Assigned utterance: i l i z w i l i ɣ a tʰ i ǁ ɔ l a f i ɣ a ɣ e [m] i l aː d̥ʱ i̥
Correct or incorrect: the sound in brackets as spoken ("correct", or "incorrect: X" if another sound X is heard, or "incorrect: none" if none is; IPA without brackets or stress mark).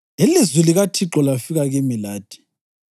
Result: correct